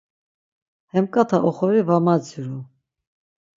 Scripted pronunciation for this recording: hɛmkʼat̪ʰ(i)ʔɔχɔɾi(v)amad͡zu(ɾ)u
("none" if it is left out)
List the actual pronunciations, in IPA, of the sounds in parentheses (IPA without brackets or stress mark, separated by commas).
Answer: a, v, ɾ